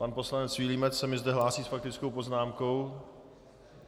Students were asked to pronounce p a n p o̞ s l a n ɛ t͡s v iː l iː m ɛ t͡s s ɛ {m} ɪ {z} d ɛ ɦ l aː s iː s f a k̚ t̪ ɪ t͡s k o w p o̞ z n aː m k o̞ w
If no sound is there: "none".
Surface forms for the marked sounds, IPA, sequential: m, z

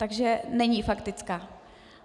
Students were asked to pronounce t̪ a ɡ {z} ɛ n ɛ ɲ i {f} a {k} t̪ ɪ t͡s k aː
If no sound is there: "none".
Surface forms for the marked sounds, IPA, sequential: ʒ, f, k

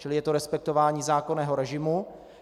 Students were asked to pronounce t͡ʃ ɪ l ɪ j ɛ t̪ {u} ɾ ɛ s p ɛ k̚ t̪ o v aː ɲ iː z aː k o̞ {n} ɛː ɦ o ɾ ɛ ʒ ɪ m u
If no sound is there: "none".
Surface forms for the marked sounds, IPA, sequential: o, n

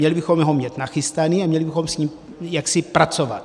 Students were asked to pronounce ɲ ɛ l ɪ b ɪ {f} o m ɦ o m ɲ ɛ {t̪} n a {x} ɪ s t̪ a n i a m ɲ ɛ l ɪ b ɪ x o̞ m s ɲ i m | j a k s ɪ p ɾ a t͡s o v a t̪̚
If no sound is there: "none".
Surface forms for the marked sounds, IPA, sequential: x, t̪, x

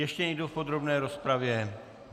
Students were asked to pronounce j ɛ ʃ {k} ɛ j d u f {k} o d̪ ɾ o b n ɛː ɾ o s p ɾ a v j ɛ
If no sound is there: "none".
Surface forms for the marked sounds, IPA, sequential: c, p

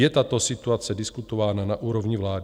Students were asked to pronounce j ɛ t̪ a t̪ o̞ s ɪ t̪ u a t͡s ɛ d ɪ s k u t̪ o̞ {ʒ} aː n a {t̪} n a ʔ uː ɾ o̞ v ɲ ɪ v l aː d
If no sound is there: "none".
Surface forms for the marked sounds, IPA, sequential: v, none

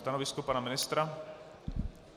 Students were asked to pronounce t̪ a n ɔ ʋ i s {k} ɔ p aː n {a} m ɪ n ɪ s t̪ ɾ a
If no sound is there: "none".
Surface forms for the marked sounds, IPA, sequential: k, a

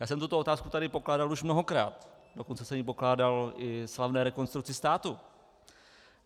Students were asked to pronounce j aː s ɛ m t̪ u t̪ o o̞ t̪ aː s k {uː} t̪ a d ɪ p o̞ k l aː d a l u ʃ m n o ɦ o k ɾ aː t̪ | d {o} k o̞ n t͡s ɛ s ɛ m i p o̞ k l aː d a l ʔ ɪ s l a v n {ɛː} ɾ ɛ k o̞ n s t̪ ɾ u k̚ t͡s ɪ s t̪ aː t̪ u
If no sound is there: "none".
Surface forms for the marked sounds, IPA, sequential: u, o, ɛː

